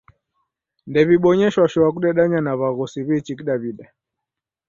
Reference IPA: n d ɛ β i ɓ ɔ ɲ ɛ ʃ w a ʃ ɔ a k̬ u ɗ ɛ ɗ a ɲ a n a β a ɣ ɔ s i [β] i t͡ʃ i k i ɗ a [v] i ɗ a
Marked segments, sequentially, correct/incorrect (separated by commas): correct, incorrect